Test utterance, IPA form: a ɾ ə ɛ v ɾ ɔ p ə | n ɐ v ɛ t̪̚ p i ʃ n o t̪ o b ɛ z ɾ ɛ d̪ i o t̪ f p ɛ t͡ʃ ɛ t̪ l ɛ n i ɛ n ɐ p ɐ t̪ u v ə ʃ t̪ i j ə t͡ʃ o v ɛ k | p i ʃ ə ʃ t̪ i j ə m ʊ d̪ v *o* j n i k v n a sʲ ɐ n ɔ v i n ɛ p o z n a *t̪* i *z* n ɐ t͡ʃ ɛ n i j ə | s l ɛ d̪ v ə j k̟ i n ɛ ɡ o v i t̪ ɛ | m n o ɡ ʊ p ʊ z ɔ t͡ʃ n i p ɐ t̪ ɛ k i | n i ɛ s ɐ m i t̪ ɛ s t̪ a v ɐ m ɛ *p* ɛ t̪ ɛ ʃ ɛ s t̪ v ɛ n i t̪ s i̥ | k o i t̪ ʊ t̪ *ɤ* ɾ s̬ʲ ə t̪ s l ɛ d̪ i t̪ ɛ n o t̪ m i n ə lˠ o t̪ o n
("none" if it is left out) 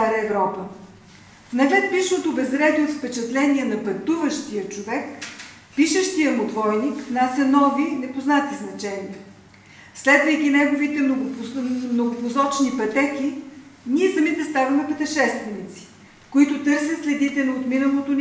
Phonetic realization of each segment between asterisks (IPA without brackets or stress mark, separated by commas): ɔ, t̪, z, p, ɤ